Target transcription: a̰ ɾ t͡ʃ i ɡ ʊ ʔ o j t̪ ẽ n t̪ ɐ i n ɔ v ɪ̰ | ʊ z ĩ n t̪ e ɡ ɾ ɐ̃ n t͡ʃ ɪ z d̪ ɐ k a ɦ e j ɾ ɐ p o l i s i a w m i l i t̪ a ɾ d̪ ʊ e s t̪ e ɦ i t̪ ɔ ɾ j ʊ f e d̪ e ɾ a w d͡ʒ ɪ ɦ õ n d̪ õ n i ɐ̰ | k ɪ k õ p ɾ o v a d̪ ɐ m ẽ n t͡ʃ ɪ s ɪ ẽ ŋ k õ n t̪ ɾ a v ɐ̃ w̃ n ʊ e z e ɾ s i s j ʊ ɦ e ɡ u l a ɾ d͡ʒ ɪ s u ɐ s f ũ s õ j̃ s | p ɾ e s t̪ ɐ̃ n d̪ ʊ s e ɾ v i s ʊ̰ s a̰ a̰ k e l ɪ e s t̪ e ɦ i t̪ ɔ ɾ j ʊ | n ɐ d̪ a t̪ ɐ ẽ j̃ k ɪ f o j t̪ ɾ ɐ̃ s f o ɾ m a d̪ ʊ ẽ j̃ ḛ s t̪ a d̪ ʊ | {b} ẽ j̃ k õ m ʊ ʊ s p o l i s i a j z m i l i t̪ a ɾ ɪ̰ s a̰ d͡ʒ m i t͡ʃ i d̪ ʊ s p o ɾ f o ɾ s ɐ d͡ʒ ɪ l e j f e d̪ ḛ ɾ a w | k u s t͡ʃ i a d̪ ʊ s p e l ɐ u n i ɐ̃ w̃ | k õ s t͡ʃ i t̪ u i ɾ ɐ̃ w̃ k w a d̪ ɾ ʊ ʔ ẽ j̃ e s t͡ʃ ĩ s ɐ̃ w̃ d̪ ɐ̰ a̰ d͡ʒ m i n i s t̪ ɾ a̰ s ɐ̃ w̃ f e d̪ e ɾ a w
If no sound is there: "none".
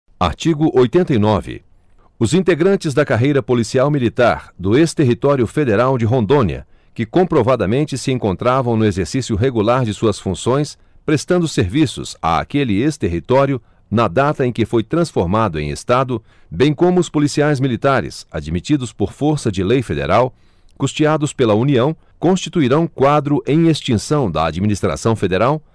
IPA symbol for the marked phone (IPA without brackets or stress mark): b